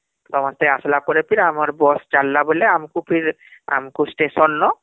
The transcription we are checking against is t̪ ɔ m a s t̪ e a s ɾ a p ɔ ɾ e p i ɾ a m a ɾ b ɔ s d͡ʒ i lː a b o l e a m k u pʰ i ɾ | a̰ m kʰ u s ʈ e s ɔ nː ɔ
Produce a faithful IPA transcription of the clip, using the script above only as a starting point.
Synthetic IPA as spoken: t̪ ɔ m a s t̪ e a s l a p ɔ ɾ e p i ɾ a m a ɾ b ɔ s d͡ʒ a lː a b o l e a m k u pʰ i ɾ | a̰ m k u s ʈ e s ɔ nː ɔ